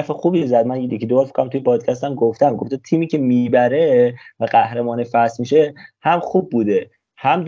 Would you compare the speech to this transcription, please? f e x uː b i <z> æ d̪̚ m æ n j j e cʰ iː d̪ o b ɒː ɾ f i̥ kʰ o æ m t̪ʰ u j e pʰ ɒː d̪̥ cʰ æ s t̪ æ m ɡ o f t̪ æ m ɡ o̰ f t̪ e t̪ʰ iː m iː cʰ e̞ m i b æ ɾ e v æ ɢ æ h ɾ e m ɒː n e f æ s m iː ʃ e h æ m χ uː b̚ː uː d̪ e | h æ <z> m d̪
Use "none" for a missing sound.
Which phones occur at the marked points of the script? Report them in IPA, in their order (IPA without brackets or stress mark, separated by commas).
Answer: z, none